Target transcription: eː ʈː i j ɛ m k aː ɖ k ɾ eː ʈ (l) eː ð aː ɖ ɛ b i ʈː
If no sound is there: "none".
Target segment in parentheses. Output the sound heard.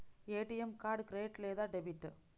l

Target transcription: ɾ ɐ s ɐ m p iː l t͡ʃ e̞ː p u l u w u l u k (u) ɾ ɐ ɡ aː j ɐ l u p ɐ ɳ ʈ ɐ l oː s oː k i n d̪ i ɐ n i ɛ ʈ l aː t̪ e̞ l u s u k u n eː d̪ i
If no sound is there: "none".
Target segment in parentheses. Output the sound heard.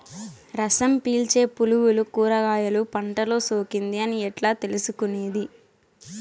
uː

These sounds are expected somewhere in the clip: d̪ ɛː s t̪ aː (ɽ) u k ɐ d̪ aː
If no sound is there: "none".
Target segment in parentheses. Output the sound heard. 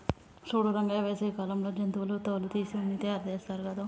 ɾ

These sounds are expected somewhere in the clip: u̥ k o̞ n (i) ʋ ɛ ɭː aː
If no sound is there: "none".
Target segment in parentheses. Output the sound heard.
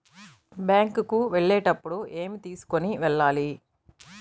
i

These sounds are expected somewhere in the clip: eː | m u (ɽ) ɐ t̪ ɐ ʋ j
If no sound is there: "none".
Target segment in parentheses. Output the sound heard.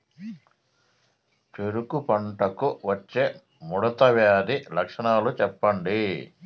ɽ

